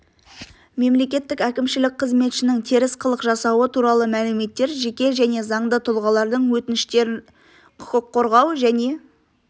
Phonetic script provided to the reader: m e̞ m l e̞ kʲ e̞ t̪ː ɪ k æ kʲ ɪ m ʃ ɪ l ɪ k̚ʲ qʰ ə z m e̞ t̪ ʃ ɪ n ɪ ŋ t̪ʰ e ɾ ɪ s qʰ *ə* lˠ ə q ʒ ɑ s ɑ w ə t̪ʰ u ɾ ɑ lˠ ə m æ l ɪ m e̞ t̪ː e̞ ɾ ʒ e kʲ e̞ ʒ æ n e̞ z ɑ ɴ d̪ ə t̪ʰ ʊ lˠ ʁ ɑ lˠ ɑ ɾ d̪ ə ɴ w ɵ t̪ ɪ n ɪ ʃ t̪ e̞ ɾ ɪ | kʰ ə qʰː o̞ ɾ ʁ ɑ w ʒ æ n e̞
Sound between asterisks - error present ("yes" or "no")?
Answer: no